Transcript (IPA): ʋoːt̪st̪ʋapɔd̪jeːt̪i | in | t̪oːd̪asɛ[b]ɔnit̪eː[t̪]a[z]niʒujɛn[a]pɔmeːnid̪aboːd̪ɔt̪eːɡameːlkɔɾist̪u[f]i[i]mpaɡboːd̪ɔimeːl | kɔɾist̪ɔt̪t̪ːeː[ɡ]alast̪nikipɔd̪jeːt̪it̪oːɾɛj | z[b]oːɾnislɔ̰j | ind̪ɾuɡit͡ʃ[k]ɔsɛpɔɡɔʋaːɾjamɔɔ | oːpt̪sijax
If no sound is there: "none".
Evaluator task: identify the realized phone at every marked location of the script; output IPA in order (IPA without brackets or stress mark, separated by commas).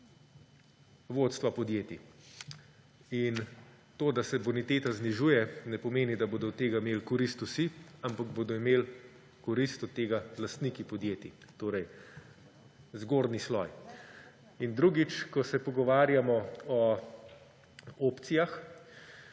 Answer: b, t̪, z, ɛ, s, a, ɡ, ɡ, k